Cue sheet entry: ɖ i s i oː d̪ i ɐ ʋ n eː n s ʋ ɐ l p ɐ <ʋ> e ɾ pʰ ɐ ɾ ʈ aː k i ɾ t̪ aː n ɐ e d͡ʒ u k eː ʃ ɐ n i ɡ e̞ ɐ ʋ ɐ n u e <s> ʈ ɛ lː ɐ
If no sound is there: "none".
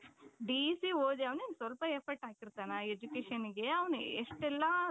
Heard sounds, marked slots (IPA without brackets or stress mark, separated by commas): none, ʂ